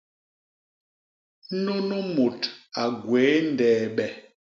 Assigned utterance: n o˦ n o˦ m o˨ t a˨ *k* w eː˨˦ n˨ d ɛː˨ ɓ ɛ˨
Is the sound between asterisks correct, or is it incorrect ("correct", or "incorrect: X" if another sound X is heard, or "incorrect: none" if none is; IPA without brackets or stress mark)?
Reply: incorrect: ɡ